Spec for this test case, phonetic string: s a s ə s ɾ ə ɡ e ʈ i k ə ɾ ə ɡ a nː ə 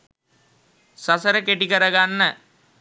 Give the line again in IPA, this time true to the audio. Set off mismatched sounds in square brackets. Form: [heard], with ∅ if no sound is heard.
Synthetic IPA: s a s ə [∅] ɾ ə [k] e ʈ i k ə ɾ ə ɡ a nː ə